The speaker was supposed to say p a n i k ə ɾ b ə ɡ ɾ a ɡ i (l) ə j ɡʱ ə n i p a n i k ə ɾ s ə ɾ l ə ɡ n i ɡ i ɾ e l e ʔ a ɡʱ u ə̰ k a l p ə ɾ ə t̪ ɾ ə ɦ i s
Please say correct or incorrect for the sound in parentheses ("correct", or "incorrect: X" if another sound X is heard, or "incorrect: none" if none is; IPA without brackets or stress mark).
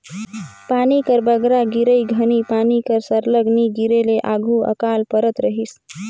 incorrect: ɾ